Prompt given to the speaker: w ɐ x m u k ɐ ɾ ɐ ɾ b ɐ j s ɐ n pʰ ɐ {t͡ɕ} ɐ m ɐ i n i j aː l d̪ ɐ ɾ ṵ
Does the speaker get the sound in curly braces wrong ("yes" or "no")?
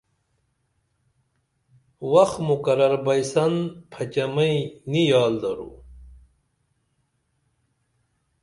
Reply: no